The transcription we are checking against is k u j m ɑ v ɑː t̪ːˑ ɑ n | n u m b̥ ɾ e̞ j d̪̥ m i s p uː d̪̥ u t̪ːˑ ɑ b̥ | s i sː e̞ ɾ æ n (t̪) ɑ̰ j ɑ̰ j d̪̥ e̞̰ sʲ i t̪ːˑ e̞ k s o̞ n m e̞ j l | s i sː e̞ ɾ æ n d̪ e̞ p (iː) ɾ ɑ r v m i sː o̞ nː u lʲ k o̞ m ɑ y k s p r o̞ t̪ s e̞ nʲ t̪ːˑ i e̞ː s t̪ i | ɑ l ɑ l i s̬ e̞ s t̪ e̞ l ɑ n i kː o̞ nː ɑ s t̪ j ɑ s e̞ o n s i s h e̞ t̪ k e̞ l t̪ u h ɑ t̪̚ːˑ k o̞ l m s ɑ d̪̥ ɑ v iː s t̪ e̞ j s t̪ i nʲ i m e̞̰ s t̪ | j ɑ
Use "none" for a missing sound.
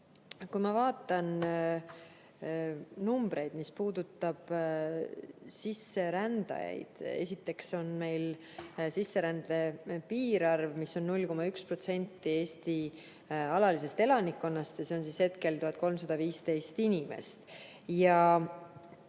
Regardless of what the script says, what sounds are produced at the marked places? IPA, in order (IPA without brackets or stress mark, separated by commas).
d̪, iː